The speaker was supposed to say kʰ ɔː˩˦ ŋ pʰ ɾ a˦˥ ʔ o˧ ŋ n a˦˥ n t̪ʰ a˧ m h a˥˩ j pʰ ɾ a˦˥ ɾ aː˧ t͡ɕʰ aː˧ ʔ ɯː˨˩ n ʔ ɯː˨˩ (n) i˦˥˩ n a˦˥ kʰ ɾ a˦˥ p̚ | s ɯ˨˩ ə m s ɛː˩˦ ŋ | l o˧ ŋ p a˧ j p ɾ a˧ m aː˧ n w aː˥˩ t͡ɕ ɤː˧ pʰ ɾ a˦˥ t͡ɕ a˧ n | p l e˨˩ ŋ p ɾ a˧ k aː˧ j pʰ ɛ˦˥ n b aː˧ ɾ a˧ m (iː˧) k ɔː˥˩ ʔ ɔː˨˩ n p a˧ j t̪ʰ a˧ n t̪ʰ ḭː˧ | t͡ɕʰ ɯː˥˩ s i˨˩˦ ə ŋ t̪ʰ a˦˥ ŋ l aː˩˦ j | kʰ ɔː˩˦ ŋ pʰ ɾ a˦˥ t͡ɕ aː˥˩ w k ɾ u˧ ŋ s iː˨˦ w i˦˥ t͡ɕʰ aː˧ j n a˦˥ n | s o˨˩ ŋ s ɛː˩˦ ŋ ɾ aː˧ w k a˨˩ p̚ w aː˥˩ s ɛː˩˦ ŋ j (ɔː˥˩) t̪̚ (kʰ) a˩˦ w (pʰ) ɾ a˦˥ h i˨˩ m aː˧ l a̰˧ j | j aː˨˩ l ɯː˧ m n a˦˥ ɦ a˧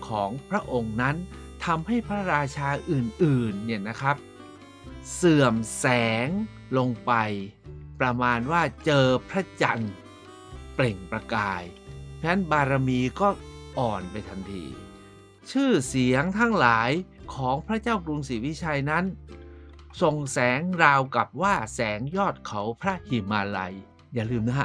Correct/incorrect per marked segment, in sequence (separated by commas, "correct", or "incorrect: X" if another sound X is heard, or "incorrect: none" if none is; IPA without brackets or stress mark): incorrect: nː, correct, correct, correct, correct